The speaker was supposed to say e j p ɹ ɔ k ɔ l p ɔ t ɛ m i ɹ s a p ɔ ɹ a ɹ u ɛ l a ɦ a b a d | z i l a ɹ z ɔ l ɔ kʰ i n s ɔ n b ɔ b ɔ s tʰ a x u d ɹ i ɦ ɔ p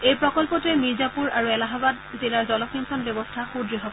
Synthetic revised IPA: e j p ɹ ɔ k ɔ l p ɔ t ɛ m i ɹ z a p u ɹ a ɹ u ɛ l a ɦ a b a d | z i l a ɹ z ɔ l ɔ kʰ i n s ɔ n b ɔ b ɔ s tʰ a x u d ɹ i ɦ ɔ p